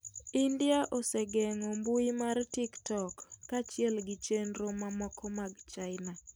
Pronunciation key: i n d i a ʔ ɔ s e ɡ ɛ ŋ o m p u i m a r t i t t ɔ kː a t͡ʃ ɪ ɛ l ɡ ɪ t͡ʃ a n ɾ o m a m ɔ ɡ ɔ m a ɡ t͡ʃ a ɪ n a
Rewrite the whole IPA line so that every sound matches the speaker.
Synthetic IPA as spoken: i n d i a ʔ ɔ s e ɡ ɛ ŋ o m b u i m a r t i k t ɔ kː a t͡ʃ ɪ ɛ l ɡ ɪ t͡ʃ e n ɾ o m a m ɔ k ɔ m a ɡ t͡ʃ a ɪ n a